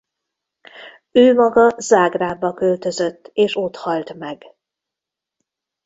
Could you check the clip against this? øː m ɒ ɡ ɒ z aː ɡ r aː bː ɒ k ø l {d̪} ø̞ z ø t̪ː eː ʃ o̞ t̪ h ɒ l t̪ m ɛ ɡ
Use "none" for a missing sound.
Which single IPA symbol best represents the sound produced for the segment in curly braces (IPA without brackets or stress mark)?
t̪